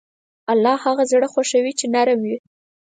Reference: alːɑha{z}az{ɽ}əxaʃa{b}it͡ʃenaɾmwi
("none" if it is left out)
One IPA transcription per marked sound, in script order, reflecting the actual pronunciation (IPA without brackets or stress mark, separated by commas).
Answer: ɣ, ɽ, w